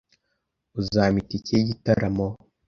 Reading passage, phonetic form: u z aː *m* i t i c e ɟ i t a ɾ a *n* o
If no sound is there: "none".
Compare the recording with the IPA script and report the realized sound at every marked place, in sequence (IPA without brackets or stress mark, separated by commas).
m, m